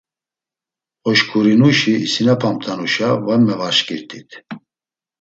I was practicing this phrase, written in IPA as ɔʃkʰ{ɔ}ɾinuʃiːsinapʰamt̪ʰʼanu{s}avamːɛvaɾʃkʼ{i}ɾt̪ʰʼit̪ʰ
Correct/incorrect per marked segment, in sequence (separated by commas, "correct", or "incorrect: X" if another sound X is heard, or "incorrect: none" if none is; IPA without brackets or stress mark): incorrect: u, incorrect: ʃ, correct